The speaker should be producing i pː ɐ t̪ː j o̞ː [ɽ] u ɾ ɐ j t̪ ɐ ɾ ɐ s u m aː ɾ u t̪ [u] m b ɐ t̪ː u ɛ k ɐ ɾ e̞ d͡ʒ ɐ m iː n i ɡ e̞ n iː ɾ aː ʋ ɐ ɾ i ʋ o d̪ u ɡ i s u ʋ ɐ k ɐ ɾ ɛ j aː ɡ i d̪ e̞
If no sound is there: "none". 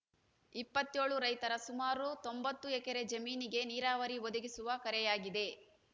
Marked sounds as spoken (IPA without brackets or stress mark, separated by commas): ɭ, o